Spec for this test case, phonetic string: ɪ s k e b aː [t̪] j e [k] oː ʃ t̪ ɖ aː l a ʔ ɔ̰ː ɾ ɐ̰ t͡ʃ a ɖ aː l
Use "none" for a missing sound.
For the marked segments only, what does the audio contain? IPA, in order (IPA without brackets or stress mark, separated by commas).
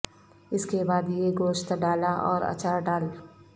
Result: d̪, ɡ